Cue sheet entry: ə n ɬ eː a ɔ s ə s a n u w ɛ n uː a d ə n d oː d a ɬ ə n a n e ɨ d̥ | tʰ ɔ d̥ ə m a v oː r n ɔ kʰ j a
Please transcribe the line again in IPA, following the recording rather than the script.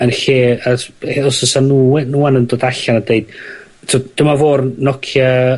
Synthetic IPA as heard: ə n ɬ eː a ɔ s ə s a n u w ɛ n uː a n ə n d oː d a ɬ a n a d e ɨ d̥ | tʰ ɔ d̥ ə m a v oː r n ɔ kʰ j a